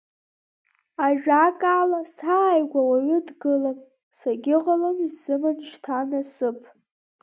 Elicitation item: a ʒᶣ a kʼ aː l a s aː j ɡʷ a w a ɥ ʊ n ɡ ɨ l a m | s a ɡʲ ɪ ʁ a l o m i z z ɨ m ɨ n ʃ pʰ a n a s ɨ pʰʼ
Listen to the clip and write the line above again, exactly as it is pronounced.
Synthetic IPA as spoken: a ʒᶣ a kʼ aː l a s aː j ɡʷ a w a ɥ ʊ d ɡ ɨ l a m | s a ɡʲ ɪ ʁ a l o m i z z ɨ m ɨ n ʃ tʰ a n a s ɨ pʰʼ